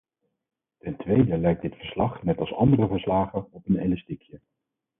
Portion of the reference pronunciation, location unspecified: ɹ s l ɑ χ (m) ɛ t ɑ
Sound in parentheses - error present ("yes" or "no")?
yes